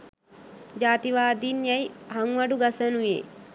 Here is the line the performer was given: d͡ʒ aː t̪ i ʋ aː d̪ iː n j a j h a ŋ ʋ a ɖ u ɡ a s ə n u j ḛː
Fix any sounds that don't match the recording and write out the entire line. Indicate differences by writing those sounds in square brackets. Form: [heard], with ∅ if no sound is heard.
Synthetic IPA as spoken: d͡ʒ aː t̪ i ʋ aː d̪ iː n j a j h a ŋ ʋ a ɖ u ɡ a s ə n u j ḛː